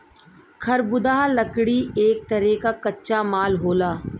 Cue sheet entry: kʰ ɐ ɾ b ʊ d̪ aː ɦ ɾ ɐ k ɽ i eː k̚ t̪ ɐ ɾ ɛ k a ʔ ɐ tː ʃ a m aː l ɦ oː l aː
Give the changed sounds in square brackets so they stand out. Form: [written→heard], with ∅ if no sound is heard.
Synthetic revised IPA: kʰ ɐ ɾ b ʊ d̪ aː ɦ [ɾ→l] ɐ k ɽ i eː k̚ t̪ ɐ ɾ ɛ k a [ʔ→k] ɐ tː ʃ a m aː l ɦ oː l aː